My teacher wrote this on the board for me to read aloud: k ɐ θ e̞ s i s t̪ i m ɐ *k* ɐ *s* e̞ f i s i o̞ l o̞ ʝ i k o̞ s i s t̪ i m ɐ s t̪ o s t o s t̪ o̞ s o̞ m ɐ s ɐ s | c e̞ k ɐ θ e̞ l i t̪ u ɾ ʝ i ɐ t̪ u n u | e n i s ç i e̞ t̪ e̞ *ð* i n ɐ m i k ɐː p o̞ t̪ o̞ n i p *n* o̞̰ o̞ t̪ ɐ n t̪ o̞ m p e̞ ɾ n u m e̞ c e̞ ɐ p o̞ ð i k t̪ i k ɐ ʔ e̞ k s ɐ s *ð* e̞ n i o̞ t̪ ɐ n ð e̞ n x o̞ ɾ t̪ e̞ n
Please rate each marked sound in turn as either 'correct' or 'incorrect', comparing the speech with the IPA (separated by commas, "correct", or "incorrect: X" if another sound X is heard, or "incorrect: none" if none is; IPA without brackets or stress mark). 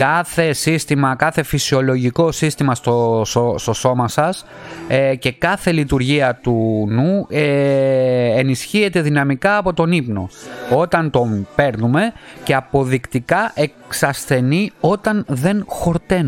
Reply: correct, incorrect: θ, correct, correct, incorrect: θ